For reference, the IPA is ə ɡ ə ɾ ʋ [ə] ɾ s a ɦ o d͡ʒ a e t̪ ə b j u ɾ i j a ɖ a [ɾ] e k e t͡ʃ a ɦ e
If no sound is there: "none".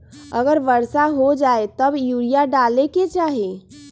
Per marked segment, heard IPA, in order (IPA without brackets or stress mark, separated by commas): ə, l